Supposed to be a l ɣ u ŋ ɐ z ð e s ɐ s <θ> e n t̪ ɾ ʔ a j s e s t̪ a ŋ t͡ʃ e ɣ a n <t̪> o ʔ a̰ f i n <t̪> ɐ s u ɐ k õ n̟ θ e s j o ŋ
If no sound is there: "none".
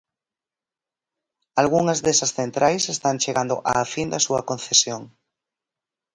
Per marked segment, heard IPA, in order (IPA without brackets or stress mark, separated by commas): θ, d̪, d̪